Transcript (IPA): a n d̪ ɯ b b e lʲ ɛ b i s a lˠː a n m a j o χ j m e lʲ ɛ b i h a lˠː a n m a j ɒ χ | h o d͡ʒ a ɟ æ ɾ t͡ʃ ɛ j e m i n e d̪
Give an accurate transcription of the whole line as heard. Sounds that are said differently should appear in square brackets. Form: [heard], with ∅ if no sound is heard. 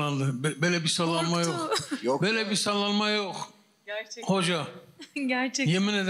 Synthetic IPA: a n d̪ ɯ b b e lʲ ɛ b i s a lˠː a n m a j o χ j [b] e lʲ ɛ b i [s] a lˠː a n m a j [o] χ | h o d͡ʒ a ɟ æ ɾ t͡ʃ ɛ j e m i n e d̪